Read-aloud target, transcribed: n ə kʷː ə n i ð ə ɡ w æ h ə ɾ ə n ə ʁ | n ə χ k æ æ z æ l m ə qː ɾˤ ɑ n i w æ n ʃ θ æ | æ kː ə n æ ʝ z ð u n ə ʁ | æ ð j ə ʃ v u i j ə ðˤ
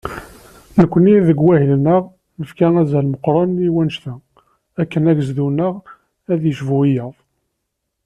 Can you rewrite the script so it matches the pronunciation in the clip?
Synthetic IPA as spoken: n ə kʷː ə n i ð ə ɡ w æ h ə l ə n ə ʁ | n ə f k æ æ z æ l m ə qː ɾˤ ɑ n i w æ n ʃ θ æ | æ kː ə n æ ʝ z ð u n ə ʁ | æ ð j ə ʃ v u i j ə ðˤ

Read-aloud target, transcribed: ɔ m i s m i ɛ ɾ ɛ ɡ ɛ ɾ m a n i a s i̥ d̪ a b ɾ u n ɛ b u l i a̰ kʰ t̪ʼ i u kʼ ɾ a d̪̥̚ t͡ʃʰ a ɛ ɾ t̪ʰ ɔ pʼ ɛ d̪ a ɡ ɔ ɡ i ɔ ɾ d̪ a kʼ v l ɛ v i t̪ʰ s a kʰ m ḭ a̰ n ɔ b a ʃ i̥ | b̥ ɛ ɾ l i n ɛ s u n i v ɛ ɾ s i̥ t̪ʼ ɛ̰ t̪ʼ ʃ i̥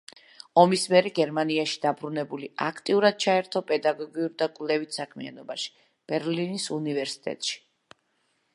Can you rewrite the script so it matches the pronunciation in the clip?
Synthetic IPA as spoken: ɔ m i s m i ɛ ɾ ɛ ɡ ɛ ɾ m a n i a ʃ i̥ d̪ a b ɾ u n ɛ b u l i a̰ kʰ t̪ʼ i u ɾ a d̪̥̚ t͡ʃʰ a ɛ ɾ t̪ʰ ɔ pʼ ɛ d̪ a ɡ ɔ ɡ i u ɾ d̪ a kʼ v l ɛ v i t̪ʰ s a kʰ m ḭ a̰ n ɔ b a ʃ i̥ | b̥ ɛ ɾ l i n i s u n i v ɛ ɾ s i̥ t̪ʼ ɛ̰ t̪ʼ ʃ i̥

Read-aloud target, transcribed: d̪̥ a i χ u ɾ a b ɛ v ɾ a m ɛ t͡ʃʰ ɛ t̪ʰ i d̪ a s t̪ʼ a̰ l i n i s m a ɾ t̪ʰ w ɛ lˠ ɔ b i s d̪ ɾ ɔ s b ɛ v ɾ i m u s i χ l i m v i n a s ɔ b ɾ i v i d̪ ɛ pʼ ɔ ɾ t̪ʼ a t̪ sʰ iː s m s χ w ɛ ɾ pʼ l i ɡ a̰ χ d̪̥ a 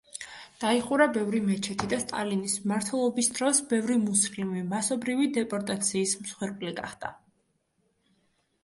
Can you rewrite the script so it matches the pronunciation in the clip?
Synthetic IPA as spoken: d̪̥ a i χ u ɾ a b ɛ v ɾ i m ɛ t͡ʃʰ ɛ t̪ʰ i d̪ a s t̪ʼ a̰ l i n i s m a ɾ t̪ʰ w ɛ lˠ ɔ b i s d̪ ɾ ɔ s b ɛ v ɾ i m u s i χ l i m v i m a s ɔ b ɾ i v i d̪ ɛ pʼ ɔ ɾ t̪ʼ a t̪ sʰ iː s m s χ w ɛ ɾ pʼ l i ɡ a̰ χ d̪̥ a

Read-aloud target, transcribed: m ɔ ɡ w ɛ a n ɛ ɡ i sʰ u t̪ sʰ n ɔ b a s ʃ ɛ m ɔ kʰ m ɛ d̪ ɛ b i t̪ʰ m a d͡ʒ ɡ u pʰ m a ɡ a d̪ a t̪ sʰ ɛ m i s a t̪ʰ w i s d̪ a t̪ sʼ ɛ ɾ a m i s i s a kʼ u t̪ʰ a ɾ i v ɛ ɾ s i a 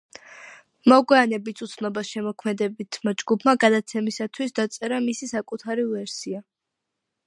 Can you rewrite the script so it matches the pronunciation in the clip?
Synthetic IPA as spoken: m ɔ ɡ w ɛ a n ɛ b i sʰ u t̪ sʰ n ɔ b a s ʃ ɛ m ɔ kʰ m ɛ d̪ ɛ b i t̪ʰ m a d͡ʒ ɡ u pʰ m a ɡ a d̪ a t̪ sʰ ɛ m i s a t̪ʰ w i s d̪ a t̪ sʼ ɛ ɾ a m i s i s a kʼ u t̪ʰ a ɾ i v ɛ ɾ s i a

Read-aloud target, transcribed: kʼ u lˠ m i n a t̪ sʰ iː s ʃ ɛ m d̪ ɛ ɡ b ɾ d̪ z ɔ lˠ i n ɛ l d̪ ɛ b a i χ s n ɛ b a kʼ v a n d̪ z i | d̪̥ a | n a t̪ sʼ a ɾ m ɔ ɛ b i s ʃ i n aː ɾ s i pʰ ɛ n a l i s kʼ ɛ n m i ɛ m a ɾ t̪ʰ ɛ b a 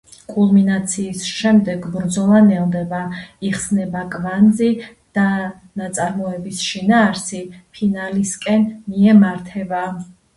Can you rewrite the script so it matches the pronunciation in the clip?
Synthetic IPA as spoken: kʼ u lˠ m i n a t̪ sʰ iː s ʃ ɛ m d̪ ɛ ɡ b ɾ d̪ z ɔ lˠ a n ɛ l d̪ ɛ b a i χ s n ɛ b a kʼ v a n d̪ z i | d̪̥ a | n a t̪ sʼ a ɾ m ɔ ɛ b i s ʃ i n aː ɾ s i pʰ i n a l i s kʼ ɛ n m i ɛ m a ɾ t̪ʰ ɛ b a

